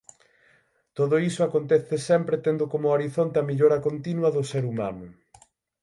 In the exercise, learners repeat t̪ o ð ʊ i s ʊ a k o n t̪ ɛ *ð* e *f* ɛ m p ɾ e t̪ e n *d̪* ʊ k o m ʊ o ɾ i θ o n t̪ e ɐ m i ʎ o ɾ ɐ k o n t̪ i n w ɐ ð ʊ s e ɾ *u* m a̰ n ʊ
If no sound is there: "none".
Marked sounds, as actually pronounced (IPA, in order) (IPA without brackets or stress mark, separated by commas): θ, s, d̪, u